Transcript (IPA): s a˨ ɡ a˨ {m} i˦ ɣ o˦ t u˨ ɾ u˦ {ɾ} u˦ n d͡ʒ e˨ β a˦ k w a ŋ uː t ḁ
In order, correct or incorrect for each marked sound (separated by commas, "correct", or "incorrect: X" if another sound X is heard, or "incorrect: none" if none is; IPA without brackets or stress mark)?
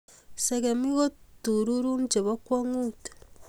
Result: correct, correct